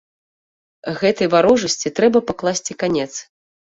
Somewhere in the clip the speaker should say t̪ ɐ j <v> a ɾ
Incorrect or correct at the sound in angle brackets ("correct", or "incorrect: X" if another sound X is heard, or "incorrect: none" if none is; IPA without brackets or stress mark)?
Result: correct